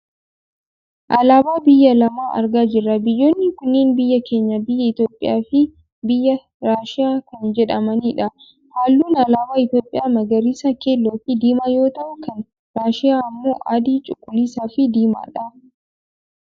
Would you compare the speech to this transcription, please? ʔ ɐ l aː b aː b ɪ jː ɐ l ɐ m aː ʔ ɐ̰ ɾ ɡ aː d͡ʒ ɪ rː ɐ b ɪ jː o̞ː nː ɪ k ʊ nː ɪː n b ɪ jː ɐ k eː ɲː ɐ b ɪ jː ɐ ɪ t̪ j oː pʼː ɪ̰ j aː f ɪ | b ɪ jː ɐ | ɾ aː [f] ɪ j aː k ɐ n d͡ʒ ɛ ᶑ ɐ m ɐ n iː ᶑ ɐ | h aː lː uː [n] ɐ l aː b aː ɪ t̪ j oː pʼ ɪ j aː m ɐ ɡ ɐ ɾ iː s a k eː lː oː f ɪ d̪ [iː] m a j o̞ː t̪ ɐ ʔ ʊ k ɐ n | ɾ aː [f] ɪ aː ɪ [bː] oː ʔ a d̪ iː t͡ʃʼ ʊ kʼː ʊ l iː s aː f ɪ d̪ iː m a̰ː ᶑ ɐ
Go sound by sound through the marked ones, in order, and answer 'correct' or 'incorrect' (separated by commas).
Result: incorrect, correct, correct, incorrect, incorrect